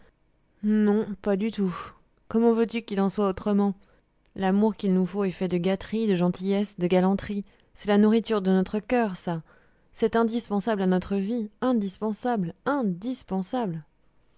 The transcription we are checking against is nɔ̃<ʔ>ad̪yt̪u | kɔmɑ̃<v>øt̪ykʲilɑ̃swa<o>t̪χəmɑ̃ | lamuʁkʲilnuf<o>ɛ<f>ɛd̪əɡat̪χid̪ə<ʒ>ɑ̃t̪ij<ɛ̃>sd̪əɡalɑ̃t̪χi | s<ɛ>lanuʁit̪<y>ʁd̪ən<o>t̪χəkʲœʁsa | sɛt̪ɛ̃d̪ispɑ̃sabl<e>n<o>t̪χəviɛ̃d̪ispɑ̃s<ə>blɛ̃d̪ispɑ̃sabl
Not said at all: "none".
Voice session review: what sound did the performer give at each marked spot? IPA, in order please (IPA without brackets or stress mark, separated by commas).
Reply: p, v, o, o, f, ʒ, ɛ, ɛ, y, ɔ, a, ɔ, a